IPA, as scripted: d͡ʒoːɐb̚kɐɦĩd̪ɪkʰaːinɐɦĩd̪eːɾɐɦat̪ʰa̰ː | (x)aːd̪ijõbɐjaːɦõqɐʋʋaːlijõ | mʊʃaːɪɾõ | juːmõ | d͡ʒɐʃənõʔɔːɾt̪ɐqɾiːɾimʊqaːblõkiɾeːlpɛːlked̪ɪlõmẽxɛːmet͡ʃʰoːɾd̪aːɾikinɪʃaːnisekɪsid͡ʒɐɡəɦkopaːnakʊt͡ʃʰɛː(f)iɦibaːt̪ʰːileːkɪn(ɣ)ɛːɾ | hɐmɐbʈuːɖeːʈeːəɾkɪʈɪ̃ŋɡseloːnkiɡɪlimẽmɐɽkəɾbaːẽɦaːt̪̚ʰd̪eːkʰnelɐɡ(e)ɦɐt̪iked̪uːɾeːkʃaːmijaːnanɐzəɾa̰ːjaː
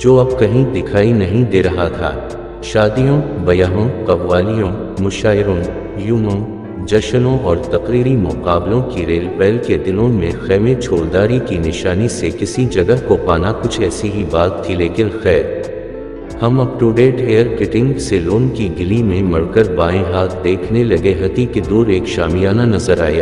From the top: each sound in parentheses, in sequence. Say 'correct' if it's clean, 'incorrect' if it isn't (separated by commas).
incorrect, incorrect, incorrect, correct